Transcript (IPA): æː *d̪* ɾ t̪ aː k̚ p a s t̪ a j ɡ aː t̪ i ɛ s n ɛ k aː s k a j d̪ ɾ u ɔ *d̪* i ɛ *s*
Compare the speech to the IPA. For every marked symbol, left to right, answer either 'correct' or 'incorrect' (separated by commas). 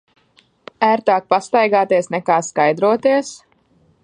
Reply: incorrect, incorrect, correct